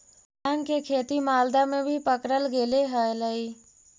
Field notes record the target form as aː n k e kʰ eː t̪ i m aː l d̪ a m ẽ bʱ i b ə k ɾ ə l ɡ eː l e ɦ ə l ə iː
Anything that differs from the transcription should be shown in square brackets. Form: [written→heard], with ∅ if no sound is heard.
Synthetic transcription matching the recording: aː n k e kʰ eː t̪ i m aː l d̪ a m ẽ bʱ i [b→p] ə k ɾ ə l ɡ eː l e ɦ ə l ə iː